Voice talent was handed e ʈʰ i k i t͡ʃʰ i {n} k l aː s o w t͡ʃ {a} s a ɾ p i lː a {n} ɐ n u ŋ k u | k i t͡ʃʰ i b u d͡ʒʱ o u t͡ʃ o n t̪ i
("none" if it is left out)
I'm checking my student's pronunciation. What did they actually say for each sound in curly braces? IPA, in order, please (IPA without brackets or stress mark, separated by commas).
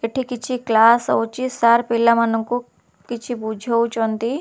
none, i, m